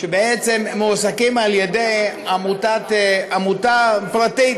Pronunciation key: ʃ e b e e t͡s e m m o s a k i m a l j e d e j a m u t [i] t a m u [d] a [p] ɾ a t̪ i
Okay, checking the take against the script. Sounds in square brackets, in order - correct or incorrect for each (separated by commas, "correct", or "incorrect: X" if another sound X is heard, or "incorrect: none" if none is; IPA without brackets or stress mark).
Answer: incorrect: a, incorrect: t, correct